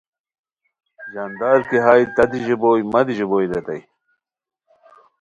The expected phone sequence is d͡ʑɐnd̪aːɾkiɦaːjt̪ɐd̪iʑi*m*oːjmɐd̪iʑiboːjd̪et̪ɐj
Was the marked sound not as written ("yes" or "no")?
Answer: yes